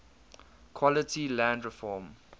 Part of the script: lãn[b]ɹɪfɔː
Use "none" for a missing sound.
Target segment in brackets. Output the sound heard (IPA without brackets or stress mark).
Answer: d